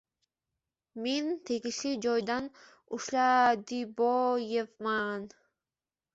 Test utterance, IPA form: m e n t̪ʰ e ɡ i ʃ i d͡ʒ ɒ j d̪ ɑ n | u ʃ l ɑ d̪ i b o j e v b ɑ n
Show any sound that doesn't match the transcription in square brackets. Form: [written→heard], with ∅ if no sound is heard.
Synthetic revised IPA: m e n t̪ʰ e ɡ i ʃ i d͡ʒ [ɒ→o] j d̪ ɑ n | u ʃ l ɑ d̪ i b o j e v [b→m] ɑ n